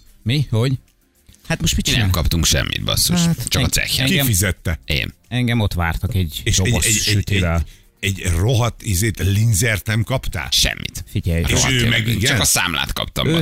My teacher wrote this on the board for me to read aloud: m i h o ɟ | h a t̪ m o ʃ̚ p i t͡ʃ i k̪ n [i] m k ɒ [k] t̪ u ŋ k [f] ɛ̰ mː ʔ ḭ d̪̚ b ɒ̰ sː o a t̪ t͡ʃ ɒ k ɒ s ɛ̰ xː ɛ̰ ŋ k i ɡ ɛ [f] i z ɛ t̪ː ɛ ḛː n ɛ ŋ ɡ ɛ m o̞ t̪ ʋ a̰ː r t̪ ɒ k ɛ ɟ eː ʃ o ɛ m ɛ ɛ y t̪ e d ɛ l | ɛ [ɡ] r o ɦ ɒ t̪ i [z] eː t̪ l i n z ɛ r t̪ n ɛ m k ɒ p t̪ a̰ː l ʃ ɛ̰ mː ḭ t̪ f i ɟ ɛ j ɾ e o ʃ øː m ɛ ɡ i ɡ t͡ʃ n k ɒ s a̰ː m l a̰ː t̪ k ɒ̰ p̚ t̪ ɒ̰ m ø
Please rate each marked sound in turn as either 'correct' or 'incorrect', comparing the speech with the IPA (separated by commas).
incorrect, incorrect, incorrect, correct, incorrect, correct